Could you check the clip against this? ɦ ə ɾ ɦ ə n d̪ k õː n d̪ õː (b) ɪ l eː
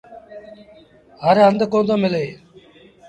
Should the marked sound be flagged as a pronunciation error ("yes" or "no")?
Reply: yes